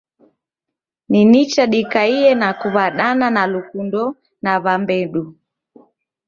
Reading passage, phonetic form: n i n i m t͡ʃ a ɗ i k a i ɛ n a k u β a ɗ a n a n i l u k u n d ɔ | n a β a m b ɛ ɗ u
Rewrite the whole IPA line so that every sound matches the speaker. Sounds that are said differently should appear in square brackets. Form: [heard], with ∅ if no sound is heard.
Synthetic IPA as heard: n i n i [∅] t͡ʃ a ɗ i k a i ɛ n a k u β a ɗ a n a n [a] l u k u n d ɔ | n a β a m b ɛ ɗ u

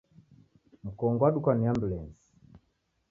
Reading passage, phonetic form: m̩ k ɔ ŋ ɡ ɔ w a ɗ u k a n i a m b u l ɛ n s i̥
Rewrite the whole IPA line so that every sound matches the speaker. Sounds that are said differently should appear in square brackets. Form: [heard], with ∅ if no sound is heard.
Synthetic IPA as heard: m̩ k ɔ ŋ ɡ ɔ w a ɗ u k a n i a m b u l ɛ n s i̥

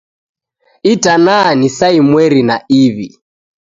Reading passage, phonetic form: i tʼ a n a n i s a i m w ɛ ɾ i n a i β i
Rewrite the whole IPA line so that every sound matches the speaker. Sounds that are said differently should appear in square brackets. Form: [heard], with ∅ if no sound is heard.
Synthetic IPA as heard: i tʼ a n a n i s a i m w ɛ ɾ i n a i β i

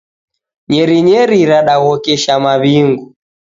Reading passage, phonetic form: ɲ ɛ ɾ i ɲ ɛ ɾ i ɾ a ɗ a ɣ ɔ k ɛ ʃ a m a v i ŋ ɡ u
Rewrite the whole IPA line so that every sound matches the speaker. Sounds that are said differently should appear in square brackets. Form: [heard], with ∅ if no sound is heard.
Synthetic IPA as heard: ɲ ɛ ɾ i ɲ ɛ ɾ i ɾ a ɗ a ɣ ɔ k ɛ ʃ a m a [β] i ŋ ɡ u

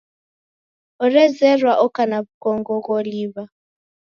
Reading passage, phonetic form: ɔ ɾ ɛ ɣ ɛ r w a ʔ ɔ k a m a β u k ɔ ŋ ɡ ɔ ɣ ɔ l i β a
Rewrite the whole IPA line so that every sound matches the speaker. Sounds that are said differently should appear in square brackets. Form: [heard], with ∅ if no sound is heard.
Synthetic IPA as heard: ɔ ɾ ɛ [z] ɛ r w a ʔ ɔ k a [n] a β u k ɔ ŋ ɡ ɔ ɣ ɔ l i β a

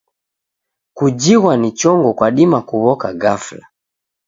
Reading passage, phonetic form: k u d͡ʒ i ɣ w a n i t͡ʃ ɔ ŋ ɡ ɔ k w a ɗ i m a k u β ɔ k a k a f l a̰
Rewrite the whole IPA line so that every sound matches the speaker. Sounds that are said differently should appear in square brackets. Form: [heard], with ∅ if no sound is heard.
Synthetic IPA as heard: k u d͡ʒ i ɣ w a n i t͡ʃ ɔ ŋ ɡ ɔ k w a ɗ i m a k u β ɔ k a [ɡ] a f l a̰

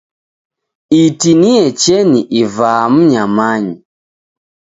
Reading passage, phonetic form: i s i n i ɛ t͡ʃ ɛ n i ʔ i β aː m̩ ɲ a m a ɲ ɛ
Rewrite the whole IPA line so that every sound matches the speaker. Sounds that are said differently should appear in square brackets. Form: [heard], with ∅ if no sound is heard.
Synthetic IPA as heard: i [t] i n i ɛ t͡ʃ ɛ n i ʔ i [v] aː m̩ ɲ a m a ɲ [i]

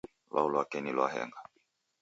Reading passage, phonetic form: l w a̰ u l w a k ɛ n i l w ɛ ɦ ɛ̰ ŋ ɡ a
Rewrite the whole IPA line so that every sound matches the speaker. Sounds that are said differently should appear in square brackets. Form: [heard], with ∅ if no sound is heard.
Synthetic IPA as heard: l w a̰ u l w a k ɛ n i l w [a] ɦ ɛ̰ ŋ ɡ a

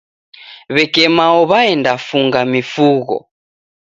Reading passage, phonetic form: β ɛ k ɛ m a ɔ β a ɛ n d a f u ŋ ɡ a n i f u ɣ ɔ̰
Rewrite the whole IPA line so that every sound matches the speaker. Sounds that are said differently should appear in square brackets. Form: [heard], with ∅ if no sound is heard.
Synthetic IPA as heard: β ɛ k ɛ m a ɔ β a ɛ n d a f u ŋ ɡ a [m] i f u ɣ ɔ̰

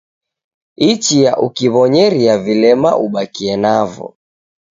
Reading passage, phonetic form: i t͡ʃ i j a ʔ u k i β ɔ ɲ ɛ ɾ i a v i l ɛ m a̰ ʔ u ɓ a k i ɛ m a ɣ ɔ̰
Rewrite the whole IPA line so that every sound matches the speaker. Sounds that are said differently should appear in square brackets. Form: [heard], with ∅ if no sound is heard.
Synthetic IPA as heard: i t͡ʃ i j a ʔ u k i β ɔ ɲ ɛ ɾ i a v i l ɛ m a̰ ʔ u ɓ a k i ɛ [n] a [v] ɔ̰

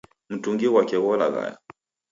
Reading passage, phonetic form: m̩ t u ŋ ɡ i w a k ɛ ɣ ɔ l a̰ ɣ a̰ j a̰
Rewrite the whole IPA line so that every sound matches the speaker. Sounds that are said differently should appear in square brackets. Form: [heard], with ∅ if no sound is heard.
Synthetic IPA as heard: m̩ t u ŋ ɡ i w a k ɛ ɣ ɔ l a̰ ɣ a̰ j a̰

